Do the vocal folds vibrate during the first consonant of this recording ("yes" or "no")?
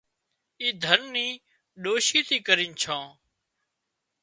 yes